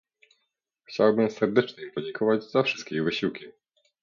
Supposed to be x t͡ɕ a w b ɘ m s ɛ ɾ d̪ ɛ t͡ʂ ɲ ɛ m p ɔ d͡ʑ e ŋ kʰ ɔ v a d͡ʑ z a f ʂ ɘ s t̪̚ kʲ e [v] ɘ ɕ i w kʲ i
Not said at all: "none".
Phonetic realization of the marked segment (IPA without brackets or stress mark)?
v